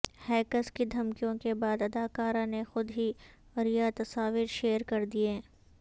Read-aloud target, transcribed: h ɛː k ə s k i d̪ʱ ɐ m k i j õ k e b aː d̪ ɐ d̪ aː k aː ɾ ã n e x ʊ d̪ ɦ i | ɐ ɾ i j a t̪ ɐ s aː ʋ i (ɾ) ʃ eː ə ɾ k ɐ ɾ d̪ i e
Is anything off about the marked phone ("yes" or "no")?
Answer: no